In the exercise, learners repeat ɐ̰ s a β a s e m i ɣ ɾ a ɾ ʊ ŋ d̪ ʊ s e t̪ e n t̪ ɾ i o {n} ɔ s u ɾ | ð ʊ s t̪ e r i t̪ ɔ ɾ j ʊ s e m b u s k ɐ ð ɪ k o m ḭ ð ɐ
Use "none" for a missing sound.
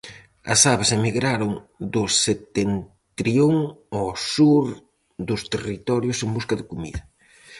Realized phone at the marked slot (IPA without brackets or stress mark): ŋ